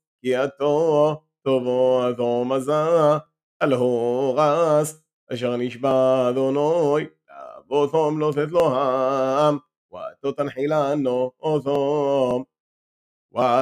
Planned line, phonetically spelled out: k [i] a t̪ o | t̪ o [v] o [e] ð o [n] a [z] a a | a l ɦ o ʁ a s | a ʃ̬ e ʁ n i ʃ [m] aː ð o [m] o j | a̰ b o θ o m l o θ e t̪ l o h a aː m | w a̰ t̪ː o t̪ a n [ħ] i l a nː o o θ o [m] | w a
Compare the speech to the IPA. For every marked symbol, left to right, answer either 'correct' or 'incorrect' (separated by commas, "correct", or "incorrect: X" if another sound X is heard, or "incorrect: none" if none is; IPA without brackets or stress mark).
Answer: correct, correct, incorrect: a, incorrect: m, correct, incorrect: b, incorrect: n, correct, correct